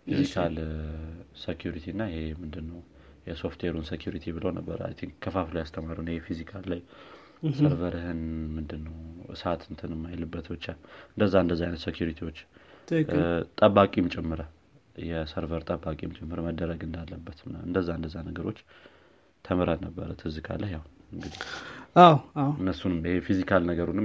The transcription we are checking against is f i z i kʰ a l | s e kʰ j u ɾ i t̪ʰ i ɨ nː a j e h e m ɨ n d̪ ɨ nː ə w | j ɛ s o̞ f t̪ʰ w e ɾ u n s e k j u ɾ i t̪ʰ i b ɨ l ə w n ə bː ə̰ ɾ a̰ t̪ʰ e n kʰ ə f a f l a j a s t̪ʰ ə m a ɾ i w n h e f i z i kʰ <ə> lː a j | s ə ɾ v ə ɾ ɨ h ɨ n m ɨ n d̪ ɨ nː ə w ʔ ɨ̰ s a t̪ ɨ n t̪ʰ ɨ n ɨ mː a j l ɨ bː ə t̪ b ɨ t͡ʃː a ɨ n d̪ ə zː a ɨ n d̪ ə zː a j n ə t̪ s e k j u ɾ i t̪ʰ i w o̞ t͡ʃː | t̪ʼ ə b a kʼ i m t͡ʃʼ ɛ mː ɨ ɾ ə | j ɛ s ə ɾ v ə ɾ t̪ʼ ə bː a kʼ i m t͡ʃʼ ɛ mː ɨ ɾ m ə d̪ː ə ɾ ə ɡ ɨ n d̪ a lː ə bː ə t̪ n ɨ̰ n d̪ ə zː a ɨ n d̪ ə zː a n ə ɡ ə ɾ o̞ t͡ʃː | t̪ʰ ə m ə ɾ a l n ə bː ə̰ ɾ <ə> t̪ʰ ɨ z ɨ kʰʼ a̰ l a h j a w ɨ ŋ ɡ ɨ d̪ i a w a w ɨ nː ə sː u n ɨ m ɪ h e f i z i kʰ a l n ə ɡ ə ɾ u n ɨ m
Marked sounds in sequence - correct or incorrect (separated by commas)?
incorrect, correct